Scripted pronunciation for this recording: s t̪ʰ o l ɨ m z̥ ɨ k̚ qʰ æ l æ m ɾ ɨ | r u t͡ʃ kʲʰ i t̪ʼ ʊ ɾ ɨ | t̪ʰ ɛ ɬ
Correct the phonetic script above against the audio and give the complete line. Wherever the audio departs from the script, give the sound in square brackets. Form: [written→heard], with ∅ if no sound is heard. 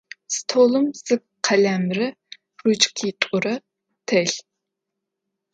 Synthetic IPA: s t̪ʰ o l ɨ m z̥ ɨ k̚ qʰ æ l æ m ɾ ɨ | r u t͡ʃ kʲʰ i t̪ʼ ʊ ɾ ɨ | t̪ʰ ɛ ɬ